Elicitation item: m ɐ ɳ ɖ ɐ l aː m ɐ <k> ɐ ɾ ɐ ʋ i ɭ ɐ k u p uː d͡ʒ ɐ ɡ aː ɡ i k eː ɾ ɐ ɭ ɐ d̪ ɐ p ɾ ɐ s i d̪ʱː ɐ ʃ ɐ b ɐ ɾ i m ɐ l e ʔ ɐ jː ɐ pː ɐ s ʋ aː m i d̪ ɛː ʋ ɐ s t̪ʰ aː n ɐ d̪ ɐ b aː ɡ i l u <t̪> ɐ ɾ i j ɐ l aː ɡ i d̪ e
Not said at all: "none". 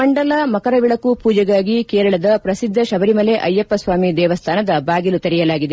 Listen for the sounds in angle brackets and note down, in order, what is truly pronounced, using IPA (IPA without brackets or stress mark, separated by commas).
k, t̪